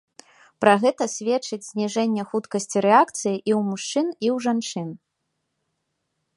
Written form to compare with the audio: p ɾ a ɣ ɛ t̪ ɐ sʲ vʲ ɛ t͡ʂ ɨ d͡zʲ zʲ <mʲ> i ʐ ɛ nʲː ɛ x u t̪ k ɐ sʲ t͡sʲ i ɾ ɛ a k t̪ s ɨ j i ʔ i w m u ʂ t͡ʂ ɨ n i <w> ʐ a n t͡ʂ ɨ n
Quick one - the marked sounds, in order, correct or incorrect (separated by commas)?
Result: incorrect, correct